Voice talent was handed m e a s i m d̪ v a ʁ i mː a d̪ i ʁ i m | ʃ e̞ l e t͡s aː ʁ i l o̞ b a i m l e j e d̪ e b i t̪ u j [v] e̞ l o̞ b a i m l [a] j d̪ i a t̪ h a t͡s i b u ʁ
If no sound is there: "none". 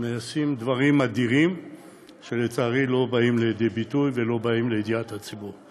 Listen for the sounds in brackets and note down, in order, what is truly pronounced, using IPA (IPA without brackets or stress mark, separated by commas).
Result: v, e